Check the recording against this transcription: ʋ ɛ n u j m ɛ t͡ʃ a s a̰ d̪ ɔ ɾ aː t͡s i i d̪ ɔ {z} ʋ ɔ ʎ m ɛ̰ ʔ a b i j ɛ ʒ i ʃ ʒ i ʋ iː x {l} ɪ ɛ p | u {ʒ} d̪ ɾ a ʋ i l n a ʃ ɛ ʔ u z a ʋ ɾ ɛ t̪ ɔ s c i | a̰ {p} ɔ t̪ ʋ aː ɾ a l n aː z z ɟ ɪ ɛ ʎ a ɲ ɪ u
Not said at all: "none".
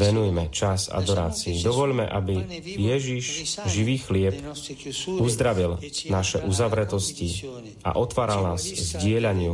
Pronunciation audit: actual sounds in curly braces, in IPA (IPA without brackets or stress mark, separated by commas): none, l, z, ʔ